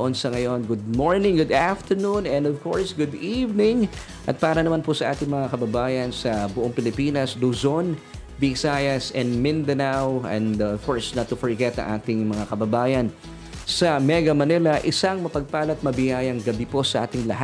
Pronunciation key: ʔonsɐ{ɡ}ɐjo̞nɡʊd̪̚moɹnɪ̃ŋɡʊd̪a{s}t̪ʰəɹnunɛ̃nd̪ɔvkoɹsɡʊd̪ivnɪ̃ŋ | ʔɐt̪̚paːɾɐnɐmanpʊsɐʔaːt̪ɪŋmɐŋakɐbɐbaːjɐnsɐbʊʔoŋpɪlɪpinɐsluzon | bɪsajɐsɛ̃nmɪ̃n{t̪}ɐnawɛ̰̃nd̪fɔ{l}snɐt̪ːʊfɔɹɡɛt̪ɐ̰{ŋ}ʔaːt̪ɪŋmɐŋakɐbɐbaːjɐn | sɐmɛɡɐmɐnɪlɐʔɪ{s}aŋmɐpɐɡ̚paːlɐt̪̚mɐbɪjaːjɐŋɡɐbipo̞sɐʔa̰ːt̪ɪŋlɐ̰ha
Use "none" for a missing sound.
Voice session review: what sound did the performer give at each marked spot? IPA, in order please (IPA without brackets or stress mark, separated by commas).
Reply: ŋ, f, d̪, ɹ, ŋ, s